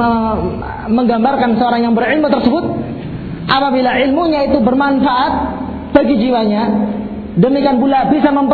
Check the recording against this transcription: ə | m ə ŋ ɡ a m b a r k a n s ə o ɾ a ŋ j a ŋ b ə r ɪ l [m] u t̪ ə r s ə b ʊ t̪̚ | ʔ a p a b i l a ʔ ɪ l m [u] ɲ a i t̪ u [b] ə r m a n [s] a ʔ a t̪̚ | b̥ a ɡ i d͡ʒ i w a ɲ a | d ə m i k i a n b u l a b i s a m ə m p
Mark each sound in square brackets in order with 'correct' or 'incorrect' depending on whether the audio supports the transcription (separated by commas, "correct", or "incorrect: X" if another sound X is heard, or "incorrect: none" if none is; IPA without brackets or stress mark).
correct, correct, correct, incorrect: f